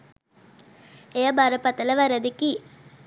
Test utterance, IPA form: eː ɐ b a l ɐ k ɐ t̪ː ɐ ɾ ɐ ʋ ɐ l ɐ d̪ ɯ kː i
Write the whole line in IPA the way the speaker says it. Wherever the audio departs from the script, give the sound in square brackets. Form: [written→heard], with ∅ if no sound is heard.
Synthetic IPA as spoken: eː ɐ b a [l→ɾ] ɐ [k→p] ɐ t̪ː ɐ [ɾ→l] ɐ ʋ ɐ [l→ɾ] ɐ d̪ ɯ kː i